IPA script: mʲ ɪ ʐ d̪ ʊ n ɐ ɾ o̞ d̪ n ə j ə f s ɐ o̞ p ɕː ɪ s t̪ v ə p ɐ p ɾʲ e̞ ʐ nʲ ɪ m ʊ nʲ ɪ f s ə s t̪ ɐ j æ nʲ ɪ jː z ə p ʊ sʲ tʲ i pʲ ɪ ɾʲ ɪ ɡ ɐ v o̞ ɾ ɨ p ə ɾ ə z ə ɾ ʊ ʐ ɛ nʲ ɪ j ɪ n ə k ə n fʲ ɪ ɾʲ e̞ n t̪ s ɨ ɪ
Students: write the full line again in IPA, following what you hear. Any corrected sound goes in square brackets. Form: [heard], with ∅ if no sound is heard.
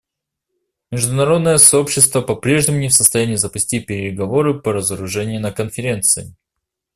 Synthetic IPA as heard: mʲ ɪ ʐ d̪ ʊ n ɐ ɾ o̞ d̪ n ə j ə [∅] s ɐ o̞ p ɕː ɪ s t̪ v ə p ɐ p ɾʲ e̞ ʐ nʲ ɪ m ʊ nʲ ɪ f s ə s t̪ ɐ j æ nʲ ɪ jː z ə p ʊ sʲ tʲ i pʲ ɪ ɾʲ ɪ ɡ ɐ v o̞ ɾ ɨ p ə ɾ ə z ə ɾ ʊ ʐ ɛ nʲ ɪ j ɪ n ə k ə n fʲ ɪ ɾʲ e̞ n t̪ s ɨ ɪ